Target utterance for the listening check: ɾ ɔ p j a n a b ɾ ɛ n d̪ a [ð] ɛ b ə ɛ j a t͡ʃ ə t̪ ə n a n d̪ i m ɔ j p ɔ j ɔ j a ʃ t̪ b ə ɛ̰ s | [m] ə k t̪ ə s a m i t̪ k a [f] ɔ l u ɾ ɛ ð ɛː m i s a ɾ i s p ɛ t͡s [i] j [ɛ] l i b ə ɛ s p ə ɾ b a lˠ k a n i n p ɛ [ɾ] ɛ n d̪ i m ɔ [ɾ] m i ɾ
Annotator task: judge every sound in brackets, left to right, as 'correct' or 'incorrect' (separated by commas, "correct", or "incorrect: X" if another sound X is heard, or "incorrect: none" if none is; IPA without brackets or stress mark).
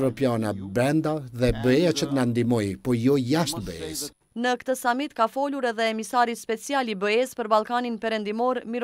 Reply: correct, incorrect: n, correct, correct, incorrect: a, correct, correct